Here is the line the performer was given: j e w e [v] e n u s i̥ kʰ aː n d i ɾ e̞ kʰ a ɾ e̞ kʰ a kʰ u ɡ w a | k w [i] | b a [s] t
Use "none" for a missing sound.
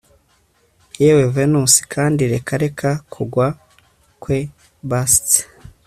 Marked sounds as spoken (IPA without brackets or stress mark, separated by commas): v, e, s